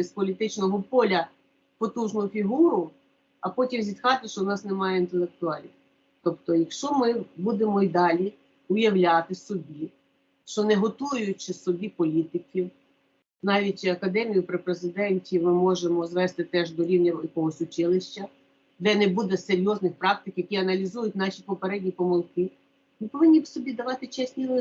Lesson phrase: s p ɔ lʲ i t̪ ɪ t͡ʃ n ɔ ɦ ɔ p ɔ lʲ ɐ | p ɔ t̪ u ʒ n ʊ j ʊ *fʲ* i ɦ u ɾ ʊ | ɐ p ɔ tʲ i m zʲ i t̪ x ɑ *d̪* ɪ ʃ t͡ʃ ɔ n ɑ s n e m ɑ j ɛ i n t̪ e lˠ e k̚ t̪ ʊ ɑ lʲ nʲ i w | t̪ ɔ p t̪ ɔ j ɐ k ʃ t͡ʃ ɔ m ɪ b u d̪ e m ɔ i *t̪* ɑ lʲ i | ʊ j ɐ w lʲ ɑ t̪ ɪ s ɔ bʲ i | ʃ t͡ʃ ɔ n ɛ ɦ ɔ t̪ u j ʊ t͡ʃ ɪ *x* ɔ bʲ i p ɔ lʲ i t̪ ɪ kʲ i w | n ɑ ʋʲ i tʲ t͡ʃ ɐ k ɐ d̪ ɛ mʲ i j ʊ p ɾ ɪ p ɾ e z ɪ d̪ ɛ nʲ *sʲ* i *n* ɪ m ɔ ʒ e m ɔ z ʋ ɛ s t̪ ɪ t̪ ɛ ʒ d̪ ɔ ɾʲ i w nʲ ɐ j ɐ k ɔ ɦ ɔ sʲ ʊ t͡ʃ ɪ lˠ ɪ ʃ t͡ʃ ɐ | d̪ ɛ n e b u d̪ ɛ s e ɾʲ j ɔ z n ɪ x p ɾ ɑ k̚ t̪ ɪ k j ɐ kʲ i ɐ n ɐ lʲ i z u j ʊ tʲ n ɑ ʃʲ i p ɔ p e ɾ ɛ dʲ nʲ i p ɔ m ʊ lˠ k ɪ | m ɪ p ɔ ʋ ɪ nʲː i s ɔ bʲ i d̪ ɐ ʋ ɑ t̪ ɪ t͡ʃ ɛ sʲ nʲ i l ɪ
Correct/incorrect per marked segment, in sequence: correct, incorrect: t̪, incorrect: d̪, incorrect: s, incorrect: tʲ, incorrect: m

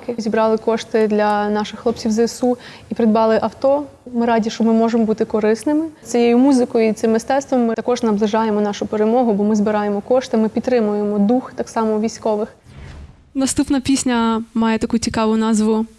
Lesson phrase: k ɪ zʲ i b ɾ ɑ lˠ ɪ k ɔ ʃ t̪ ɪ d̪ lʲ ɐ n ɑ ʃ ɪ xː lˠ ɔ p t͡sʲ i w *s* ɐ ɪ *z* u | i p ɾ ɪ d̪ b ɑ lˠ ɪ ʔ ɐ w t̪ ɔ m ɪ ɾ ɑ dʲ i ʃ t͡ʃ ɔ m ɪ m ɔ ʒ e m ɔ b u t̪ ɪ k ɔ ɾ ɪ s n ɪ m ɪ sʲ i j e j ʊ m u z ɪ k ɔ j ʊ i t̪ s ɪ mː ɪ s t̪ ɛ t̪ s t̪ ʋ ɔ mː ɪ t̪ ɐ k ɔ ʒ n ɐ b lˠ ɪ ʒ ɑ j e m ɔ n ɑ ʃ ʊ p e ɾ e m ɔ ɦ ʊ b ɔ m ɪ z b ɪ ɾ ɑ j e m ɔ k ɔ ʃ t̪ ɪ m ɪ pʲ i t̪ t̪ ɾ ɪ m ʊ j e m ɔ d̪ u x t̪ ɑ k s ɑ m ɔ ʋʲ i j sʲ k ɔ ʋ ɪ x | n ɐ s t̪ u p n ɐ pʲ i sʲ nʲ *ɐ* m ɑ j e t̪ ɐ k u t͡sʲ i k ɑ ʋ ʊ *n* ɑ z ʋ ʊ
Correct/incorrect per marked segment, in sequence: incorrect: z, incorrect: s, correct, correct

